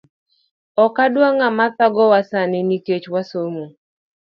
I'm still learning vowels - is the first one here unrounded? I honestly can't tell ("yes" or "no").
no